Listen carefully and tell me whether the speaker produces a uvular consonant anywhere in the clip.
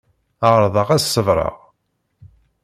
yes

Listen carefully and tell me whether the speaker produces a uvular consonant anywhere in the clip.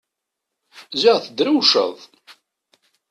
yes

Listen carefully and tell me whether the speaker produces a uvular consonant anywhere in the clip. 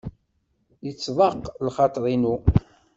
yes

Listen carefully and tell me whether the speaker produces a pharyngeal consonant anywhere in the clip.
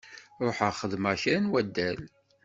yes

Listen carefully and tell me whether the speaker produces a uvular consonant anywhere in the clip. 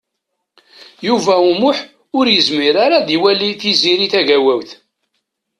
no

